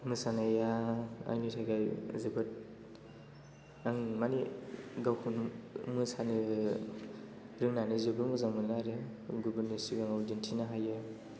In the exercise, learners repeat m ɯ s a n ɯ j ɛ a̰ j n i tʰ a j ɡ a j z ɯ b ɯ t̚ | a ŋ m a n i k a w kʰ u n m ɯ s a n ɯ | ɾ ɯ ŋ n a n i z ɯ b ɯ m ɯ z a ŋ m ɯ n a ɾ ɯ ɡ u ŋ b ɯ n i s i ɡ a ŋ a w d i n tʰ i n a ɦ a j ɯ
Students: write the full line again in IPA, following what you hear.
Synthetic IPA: m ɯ s a n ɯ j a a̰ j n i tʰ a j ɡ a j z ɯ b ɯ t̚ | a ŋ m a n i ɡ a w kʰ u n m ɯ s a n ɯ | ɾ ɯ ŋ n a n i z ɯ b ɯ m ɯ z a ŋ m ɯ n a ɾ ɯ ɡ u b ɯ n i s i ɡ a ŋ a w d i n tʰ i n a ɦ a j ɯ